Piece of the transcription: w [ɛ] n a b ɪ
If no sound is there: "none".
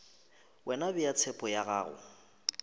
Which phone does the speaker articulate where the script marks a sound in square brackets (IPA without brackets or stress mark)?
ɛ